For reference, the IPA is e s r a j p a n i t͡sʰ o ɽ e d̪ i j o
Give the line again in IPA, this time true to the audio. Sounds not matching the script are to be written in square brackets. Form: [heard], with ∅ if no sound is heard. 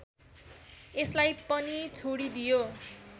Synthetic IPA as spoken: e s [l] a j p [ʌ] n i t͡sʰ o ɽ [i] d̪ i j o